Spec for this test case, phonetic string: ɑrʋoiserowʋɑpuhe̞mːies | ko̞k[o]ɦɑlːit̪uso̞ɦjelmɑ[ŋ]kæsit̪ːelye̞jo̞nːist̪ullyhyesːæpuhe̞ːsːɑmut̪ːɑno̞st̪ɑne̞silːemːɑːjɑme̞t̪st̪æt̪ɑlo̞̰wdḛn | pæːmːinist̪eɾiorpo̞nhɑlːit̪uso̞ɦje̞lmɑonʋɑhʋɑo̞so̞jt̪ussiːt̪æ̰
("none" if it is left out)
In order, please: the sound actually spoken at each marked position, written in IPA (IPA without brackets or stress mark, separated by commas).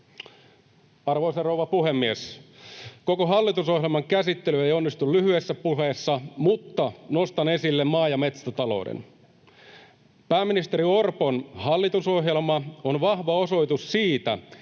o, ŋ